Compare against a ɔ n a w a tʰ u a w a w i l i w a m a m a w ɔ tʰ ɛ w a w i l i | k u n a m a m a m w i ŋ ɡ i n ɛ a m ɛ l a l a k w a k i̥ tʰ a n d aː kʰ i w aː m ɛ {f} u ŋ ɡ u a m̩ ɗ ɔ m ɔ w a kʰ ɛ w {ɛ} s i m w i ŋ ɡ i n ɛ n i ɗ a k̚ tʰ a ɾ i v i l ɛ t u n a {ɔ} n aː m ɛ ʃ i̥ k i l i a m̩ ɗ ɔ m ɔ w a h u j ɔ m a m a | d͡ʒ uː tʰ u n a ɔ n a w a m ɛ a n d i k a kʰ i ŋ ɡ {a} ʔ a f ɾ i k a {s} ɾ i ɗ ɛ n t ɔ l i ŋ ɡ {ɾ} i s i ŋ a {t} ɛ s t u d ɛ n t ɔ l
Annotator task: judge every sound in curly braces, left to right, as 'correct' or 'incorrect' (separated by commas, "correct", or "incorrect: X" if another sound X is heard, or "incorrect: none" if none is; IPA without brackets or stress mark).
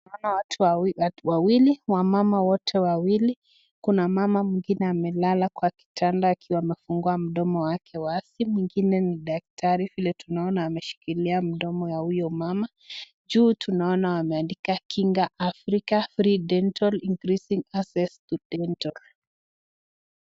correct, incorrect: a, correct, correct, incorrect: f, correct, incorrect: s